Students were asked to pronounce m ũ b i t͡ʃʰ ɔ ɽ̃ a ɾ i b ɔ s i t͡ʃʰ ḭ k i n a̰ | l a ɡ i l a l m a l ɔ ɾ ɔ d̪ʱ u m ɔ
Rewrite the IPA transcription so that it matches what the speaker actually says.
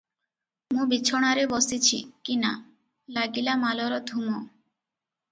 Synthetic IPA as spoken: m ũ b i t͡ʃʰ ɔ ɽ̃ a ɾ e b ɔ s i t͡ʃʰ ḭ k i n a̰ | l a ɡ i l a m a l ɔ ɾ ɔ d̪ʱ u m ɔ

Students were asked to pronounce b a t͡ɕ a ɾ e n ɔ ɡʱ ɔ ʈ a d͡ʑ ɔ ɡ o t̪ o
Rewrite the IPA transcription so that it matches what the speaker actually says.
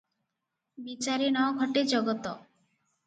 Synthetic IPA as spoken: b i t͡ɕ a ɾ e n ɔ ɡʱ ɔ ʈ e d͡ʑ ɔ ɡ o t̪ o

